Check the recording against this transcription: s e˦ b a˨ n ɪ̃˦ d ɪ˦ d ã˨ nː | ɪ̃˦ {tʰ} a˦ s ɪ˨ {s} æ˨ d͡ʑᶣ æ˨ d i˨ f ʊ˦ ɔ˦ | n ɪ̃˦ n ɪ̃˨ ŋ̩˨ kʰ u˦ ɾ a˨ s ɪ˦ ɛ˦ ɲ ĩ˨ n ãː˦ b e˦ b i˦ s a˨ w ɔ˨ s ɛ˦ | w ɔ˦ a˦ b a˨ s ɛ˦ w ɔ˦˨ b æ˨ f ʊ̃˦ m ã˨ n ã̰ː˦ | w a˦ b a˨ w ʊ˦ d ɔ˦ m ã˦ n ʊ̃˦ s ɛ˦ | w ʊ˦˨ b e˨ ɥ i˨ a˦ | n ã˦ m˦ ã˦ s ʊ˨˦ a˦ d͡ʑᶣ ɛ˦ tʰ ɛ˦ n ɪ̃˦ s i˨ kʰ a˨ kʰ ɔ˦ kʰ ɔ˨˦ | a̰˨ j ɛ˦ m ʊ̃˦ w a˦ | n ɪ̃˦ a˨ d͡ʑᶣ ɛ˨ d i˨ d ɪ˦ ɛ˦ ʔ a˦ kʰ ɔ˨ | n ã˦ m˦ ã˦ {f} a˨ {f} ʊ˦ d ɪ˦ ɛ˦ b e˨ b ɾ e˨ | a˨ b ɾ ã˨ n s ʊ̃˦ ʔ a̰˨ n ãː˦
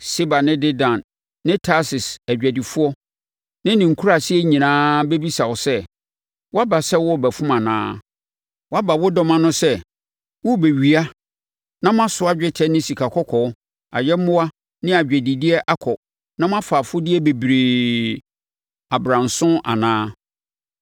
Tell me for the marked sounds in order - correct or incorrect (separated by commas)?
correct, correct, correct, correct